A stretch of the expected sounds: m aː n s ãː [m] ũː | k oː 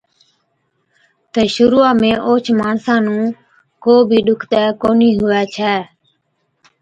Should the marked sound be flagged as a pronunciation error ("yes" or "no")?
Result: yes